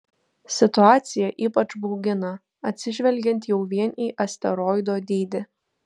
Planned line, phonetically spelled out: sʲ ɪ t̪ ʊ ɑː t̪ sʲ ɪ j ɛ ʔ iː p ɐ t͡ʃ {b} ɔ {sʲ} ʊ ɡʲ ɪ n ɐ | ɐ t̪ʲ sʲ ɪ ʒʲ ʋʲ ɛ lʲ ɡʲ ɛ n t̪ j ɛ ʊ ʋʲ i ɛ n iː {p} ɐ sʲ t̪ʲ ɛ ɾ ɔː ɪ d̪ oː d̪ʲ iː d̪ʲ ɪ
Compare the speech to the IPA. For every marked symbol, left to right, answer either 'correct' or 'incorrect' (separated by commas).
correct, incorrect, incorrect